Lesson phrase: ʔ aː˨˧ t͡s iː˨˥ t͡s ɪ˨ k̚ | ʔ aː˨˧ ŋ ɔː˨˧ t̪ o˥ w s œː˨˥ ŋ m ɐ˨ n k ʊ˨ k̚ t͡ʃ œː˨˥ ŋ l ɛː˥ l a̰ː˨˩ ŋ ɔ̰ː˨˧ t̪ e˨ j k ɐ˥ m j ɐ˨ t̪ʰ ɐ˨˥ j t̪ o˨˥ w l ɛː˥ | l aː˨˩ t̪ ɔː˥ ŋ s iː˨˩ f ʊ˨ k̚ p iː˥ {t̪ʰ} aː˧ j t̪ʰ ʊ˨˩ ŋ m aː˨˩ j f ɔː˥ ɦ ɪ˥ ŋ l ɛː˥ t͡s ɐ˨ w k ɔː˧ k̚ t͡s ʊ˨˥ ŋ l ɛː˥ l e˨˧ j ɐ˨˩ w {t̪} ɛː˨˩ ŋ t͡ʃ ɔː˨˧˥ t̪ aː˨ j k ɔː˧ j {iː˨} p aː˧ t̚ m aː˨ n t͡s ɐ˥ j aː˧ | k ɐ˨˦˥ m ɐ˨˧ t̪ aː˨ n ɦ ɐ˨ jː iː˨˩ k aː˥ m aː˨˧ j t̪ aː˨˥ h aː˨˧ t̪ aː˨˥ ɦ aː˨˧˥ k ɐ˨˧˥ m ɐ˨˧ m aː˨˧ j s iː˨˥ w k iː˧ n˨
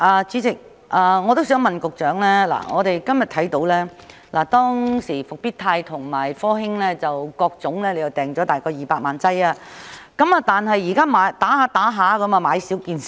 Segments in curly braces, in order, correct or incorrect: correct, correct, correct

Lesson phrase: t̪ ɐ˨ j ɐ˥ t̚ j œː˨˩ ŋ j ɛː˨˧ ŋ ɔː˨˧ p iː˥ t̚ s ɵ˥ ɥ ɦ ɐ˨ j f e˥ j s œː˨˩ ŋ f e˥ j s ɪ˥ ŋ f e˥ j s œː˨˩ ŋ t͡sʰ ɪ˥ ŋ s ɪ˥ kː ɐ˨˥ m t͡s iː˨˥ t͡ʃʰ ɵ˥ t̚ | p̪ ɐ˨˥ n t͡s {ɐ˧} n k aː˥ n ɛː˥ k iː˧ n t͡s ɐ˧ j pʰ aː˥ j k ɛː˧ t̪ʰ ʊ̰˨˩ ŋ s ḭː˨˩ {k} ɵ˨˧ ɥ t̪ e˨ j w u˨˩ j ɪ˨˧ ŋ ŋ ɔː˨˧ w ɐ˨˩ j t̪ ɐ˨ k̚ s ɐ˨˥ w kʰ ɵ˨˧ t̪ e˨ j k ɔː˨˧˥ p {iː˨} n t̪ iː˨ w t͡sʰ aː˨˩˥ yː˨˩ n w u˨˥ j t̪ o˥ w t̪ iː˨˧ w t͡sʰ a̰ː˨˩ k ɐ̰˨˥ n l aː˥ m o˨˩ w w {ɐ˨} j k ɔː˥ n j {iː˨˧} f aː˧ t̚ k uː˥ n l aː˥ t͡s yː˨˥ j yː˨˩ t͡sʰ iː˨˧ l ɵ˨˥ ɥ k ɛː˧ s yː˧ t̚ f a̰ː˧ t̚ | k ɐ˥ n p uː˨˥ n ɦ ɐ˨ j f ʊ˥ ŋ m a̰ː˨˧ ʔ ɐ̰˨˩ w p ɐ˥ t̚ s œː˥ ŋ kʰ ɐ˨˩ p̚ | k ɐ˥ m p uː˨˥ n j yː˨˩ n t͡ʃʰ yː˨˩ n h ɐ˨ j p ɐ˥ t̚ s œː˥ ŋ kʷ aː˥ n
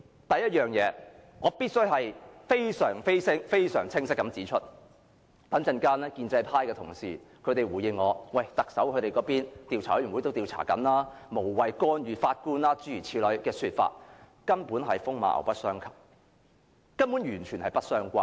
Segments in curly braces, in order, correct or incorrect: correct, incorrect: kʰ, incorrect: iː˥, correct, incorrect: yː˨˧

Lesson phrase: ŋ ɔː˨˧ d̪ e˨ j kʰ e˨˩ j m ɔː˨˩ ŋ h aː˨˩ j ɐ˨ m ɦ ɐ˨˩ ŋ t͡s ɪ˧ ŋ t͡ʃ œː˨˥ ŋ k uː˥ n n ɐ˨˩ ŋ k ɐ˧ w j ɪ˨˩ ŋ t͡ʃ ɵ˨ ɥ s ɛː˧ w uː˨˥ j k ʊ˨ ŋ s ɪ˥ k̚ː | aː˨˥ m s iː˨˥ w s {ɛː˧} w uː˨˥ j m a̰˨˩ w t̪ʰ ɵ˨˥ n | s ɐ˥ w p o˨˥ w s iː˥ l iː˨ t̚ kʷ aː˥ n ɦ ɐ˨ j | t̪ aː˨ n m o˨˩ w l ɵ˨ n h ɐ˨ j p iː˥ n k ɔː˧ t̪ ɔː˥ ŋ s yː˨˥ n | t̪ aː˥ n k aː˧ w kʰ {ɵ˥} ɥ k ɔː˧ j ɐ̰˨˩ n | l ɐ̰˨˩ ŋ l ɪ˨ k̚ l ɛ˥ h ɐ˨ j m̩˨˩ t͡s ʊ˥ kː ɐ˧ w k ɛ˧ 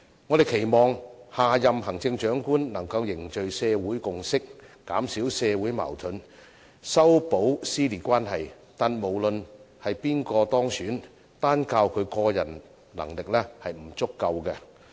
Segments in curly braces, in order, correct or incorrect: correct, incorrect: ɵ˨˧

